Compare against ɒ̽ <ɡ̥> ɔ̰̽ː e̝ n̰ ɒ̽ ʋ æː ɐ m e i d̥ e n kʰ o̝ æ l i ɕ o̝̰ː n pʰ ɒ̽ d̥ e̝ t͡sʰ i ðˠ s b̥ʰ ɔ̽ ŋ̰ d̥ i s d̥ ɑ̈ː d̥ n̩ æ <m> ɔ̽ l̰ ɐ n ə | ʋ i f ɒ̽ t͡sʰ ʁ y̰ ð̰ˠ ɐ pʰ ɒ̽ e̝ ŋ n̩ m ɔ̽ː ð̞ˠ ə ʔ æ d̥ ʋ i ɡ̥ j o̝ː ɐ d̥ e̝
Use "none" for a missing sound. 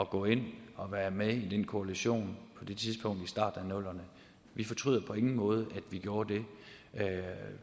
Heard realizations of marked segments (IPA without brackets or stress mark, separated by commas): ɡ̥, n